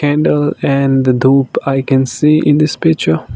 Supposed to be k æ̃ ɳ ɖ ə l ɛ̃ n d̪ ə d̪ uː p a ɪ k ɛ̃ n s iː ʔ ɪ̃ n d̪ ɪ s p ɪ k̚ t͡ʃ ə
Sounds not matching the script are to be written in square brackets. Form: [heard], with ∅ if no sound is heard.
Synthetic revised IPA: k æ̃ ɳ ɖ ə l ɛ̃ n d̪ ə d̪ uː p a ɪ k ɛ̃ n s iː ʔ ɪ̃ n d̪ ɪ s p ɪ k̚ t͡ʃ ə